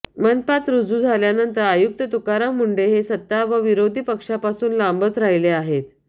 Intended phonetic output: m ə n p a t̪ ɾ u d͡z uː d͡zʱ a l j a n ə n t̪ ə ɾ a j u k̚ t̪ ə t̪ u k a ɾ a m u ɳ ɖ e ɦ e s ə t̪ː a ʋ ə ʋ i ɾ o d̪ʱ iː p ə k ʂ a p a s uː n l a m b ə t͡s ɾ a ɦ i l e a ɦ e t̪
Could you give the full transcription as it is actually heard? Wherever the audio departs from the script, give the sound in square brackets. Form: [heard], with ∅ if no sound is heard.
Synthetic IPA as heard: m ə n p a t̪ ɾ u d͡z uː d͡zʱ a l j a n ə n t̪ ə ɾ a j u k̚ t̪ ə t̪ u k a ɾ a m u ɳ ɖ e ɦ e s ə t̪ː a ʋ ə ʋ i ɾ o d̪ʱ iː p ə k ʂ a p a s uː n l a m b ə t͡s ɾ a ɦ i l e a ɦ e t̪